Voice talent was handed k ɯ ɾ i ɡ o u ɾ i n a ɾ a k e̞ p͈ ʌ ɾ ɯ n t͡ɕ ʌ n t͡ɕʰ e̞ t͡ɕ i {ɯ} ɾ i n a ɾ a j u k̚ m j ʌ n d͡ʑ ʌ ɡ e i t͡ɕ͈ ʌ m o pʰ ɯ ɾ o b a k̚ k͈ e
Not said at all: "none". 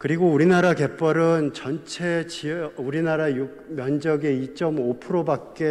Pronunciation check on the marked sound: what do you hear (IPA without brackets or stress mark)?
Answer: u